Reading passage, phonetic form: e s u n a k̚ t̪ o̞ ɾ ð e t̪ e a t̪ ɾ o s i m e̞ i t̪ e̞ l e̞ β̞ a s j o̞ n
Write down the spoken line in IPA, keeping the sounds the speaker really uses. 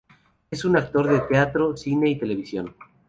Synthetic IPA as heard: e s u n a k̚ t̪ o̞ ɾ ð e t̪ e a t̪ ɾ o s i n e̞ i t̪ e̞ l e̞ β̞ i s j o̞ n

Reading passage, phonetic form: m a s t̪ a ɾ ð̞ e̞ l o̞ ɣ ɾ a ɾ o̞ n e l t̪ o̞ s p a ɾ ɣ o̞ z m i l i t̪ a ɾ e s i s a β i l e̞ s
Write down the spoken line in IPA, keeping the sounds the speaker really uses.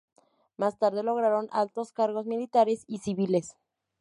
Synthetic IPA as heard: m a s t̪ a ɾ ð̞ e̞ l o̞ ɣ ɾ a ɾ o̞ n a l t̪ o̞ s k a ɾ ɣ o̞ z m i l i t̪ a ɾ e s i s i β i l e̞ s

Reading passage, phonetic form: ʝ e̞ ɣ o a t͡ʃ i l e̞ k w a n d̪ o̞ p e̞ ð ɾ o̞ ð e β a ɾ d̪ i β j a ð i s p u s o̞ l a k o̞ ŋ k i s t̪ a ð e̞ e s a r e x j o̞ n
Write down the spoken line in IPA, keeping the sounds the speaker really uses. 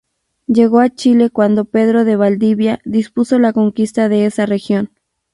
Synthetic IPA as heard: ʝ e̞ ɣ o a t͡ʃ i l e̞ k w a n d̪ o̞ p e̞ ð ɾ o̞ ð e β a l d̪ i β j a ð i s p u s o̞ l a k o̞ ŋ k i s t̪ a ð e̞ e s a r e x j o̞ n

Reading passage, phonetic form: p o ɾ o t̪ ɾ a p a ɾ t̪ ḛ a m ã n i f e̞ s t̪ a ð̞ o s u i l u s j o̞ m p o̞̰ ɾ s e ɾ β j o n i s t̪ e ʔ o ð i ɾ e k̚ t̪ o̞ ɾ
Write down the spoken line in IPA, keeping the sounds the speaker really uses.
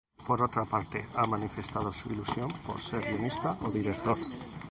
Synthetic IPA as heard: p o ɾ o t̪ ɾ a p a ɾ t̪ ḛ a m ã n i f e̞ s t̪ a ð̞ o s u i l u s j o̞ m p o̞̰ ɾ s e ɾ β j o n i s t̪ a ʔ o ð i ɾ e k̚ t̪ o̞ ɾ

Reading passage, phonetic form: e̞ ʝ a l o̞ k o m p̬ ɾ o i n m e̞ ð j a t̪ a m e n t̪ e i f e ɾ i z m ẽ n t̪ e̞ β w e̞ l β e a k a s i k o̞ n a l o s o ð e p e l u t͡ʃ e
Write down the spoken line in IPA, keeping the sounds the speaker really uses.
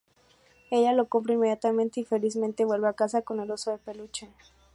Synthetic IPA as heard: e̞ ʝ a l o̞ k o m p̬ ɾ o i n m e̞ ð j a t̪ a m ẽ n t̪ e i f e l i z m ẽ n t̪ e̞ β w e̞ l β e a k a s a k o̞ n e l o s o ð e p e l u t͡ʃ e

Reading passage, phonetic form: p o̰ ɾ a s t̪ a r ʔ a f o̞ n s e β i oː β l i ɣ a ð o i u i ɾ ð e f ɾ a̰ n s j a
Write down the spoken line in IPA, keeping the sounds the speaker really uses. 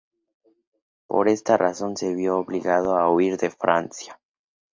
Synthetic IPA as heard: p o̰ ɾ e s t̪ a r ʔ a s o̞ n s e β j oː β l i ɣ a ð o a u i ɾ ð e f ɾ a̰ n s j a

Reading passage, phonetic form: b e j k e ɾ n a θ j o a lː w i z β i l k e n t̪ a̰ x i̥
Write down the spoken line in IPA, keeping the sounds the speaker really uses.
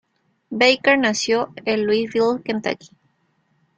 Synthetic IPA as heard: b e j k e ɾ n a s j o e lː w i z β i l k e n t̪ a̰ k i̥

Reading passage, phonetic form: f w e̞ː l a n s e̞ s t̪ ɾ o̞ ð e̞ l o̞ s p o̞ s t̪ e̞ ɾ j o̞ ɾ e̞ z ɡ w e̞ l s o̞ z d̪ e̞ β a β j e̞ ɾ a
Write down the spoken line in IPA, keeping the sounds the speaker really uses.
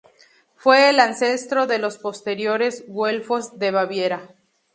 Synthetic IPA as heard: f w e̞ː l a n s e̞ s t̪ ɾ o̞ ð e̞ l o̞ s p o̞ s t̪ e̞ ɾ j o̞ ɾ e̞ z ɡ w e̞ l f o̞ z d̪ e̞ β a β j e̞ ɾ a

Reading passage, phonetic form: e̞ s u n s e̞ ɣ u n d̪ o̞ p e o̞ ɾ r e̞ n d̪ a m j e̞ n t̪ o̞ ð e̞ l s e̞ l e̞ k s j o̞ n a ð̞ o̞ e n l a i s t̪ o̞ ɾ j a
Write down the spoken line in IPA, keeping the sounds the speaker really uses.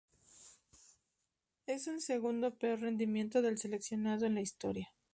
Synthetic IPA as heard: e̞ s u n s e̞ ɣ u n d̪ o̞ p e o̞ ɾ r e̞ n d̪ i m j e̞ n t̪ o̞ ð e̞ l s e̞ l e̞ k s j o̞ n a ð̞ o̞ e n l a i s t̪ o̞ ɾ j a

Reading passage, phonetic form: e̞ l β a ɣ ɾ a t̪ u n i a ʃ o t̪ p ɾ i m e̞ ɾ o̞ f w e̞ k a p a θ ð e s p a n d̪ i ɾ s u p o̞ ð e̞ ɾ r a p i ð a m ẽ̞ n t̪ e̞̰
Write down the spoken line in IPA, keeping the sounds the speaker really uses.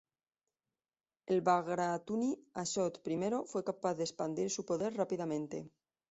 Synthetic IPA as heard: e̞ l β a ɣ ɾ a t̪ u n i a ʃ o t̪ p ɾ i m e̞ ɾ o̞ f w e̞ k a p a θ ð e s p a n d̪ i ɾ s u p o̞ ð e̞ ɾ r a p i ð a m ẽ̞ n t̪ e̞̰

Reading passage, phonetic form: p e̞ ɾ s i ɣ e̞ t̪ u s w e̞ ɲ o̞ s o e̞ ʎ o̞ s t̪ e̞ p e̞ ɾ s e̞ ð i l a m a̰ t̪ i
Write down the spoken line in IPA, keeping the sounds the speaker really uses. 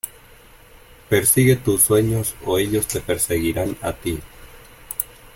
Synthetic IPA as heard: p e̞ ɾ s i ɣ e̞ t̪ u s w e̞ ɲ o̞ s o e̞ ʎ o̞ s t̪ e̞ p e̞ ɾ s e̞ ɣ i ɾ a n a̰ t̪ i

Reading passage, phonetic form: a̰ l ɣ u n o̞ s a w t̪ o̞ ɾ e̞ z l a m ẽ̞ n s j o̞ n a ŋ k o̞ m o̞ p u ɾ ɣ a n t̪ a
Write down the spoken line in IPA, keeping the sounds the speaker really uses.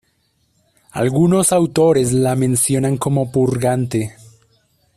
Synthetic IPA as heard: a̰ l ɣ u n o̞ s a w t̪ o̞ ɾ e̞ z l a m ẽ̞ n s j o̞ n a ŋ k o̞ m o̞ p u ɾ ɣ a n t̪ e

